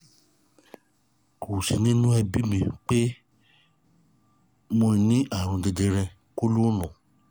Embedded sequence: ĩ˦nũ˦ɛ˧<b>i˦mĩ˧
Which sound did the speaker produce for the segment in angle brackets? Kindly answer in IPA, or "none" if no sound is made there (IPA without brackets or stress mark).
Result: b